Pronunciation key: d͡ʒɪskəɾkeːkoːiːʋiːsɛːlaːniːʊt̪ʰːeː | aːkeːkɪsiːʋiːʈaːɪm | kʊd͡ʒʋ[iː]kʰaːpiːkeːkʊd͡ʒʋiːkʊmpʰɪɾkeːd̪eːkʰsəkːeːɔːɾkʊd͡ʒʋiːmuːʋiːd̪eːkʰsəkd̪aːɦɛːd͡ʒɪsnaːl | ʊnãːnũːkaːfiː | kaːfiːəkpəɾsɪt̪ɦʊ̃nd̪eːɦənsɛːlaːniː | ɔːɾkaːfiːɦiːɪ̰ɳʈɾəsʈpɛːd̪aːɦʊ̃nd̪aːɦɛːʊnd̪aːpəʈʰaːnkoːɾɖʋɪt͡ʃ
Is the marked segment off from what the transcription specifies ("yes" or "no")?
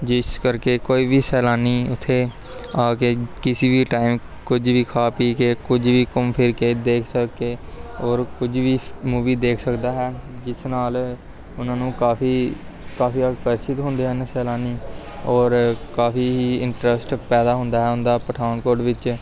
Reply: no